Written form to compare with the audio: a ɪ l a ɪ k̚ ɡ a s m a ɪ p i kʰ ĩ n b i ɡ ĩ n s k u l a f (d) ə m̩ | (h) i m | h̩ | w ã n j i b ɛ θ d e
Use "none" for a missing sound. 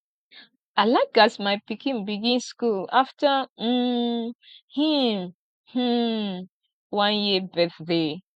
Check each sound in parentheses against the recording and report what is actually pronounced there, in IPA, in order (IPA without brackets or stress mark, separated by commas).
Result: t, h